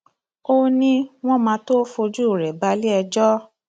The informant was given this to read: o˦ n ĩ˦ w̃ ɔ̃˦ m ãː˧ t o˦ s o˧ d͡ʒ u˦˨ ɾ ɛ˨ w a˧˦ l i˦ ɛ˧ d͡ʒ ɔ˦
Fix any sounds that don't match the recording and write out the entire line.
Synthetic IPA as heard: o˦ n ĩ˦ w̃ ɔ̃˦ m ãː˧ t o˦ f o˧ d͡ʒ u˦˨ ɾ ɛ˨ b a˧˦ l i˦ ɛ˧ d͡ʒ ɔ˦